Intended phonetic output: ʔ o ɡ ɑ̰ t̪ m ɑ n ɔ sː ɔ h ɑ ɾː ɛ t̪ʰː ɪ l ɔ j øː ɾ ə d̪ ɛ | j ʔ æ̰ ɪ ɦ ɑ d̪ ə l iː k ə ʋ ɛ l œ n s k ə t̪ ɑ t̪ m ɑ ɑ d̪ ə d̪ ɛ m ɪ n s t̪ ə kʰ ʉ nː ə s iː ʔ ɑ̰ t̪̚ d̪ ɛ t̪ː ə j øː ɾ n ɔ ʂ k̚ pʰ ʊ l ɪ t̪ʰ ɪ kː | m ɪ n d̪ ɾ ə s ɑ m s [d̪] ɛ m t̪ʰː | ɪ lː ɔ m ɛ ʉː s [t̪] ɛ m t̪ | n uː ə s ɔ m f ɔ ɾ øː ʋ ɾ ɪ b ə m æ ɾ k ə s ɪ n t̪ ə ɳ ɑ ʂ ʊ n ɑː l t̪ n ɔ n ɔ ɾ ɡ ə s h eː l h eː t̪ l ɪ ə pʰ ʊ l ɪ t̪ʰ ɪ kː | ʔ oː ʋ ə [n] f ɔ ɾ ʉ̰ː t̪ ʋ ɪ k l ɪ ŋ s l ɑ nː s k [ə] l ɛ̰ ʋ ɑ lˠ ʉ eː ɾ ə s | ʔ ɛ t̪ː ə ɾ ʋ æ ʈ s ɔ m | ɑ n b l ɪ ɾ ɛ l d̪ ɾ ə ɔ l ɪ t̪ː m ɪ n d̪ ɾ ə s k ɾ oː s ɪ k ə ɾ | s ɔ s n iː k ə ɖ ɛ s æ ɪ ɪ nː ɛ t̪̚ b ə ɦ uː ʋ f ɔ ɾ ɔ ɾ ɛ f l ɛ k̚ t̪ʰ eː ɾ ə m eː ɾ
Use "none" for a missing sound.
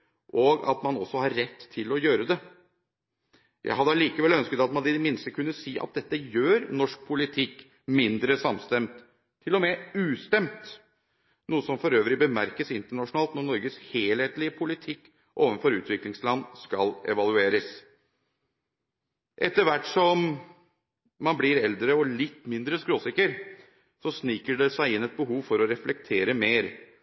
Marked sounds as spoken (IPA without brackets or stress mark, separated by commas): t̪, t̪, n, ɑ